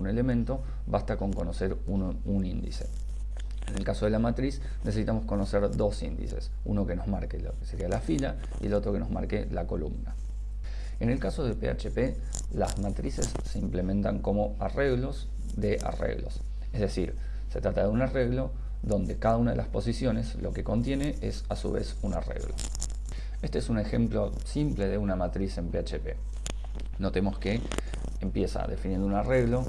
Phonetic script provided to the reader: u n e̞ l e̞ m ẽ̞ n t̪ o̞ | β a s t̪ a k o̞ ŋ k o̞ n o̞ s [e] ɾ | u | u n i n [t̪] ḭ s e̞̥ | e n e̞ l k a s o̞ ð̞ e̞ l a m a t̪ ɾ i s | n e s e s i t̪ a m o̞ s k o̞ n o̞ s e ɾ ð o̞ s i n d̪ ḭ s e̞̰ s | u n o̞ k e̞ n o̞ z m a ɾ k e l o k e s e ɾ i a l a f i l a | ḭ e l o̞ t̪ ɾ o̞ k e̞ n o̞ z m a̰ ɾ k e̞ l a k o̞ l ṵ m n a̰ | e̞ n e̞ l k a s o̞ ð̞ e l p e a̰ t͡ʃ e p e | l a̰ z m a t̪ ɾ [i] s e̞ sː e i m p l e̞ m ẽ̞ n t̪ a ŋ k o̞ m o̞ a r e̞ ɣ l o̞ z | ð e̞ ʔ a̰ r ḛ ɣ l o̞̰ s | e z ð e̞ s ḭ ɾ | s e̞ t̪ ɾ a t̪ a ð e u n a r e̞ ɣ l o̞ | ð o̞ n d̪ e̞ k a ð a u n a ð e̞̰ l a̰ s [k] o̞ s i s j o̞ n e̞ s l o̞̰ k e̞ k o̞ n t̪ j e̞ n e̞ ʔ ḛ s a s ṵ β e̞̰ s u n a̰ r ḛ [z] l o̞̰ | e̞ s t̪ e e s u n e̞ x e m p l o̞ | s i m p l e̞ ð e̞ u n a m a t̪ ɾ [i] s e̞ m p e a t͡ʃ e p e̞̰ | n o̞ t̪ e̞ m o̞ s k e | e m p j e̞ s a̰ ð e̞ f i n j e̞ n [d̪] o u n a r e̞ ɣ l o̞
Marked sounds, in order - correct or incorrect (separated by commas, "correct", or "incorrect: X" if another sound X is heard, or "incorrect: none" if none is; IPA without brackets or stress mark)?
correct, incorrect: d̪, correct, incorrect: p, incorrect: ɣ, correct, correct